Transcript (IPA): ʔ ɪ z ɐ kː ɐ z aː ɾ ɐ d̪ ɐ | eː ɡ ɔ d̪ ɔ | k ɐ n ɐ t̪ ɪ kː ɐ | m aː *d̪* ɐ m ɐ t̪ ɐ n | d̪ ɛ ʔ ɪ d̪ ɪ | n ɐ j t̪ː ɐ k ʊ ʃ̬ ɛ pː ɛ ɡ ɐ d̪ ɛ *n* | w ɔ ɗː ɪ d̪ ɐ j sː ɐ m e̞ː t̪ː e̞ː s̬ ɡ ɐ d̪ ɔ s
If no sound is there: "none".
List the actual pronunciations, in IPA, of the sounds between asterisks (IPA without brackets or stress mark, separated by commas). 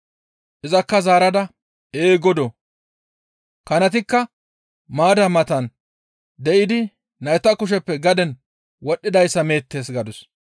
d̪, n